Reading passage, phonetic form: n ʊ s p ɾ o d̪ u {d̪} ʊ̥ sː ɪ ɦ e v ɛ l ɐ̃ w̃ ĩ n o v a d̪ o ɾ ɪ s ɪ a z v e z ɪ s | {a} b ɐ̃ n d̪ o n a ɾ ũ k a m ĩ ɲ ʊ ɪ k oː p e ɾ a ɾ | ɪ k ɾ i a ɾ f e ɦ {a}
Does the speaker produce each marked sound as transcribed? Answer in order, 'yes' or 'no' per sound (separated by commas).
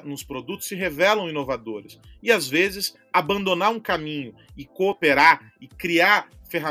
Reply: no, yes, yes